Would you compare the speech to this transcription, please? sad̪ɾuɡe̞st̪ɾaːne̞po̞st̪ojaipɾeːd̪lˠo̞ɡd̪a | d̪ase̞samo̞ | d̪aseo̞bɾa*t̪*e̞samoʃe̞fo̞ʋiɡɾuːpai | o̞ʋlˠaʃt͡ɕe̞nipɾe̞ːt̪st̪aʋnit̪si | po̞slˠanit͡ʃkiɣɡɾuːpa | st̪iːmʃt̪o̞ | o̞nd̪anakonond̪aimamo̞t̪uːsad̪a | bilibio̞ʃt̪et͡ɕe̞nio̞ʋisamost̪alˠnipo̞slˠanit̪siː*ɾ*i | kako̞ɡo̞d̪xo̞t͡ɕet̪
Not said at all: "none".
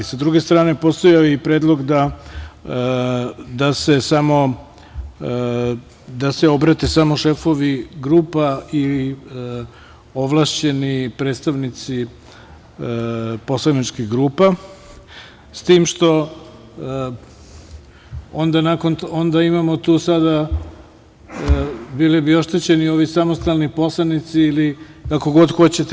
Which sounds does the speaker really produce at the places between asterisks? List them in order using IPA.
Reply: t̪, l

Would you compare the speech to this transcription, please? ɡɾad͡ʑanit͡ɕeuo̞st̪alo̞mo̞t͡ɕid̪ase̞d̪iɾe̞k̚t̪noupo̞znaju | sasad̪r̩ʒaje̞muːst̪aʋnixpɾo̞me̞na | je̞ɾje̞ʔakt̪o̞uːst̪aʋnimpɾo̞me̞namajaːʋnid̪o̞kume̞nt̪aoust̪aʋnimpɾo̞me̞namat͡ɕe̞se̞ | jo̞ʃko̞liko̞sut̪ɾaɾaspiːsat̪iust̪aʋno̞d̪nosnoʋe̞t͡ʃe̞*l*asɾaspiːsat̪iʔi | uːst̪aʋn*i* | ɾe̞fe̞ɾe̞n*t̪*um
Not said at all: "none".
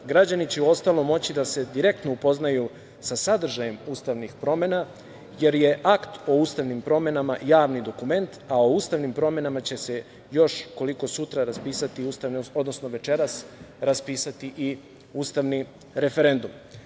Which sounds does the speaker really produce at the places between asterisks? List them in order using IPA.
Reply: ɾ, i, d̪

